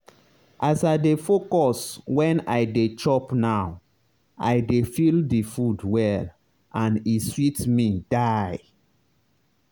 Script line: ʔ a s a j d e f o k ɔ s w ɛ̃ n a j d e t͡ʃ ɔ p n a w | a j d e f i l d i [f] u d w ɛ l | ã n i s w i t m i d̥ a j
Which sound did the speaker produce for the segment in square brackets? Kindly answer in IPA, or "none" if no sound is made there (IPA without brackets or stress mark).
f